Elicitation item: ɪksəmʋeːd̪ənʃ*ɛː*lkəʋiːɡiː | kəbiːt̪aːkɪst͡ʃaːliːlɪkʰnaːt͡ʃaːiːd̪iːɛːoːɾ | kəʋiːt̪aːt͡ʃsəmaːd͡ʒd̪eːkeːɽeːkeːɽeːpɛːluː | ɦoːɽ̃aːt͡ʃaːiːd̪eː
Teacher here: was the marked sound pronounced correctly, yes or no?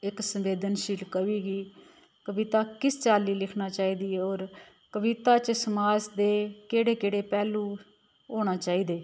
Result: no